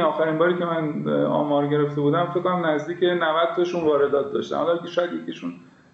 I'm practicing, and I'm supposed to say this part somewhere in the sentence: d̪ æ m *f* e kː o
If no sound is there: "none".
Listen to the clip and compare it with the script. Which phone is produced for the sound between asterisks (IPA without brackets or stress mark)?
f